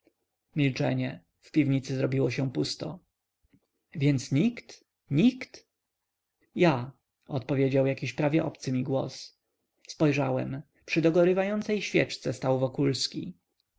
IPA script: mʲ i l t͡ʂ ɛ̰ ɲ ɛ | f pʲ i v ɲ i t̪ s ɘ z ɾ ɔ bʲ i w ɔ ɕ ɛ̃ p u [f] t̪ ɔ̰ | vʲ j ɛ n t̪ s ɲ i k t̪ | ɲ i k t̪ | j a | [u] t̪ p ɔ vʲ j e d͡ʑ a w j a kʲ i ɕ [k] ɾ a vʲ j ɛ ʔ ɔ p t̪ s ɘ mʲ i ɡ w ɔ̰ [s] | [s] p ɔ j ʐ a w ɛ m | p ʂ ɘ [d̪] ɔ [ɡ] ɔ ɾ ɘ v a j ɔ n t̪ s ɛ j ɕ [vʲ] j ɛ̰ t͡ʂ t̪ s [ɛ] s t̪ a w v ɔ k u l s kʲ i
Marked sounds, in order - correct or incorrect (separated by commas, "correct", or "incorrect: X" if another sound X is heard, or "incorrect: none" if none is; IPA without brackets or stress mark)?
incorrect: s, incorrect: ɔ, incorrect: p, correct, correct, correct, correct, incorrect: fʲ, correct